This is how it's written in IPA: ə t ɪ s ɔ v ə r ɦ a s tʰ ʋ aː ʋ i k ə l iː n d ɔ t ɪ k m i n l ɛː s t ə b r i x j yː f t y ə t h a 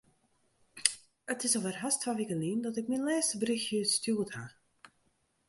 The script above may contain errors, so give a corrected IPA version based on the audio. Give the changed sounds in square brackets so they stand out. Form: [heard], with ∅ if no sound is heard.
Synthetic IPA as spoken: ə t ɪ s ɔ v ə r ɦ a s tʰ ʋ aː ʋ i k ə l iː n d ɔ t ɪ k m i n l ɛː s t ə b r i x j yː [s] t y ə t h a